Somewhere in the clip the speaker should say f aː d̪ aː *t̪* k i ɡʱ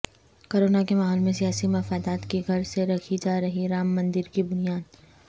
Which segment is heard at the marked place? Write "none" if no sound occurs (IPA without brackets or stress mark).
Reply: t̪